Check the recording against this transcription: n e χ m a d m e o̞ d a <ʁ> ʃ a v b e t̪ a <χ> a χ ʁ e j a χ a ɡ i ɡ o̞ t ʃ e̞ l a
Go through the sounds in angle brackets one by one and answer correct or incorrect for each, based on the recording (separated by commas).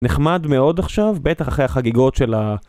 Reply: incorrect, correct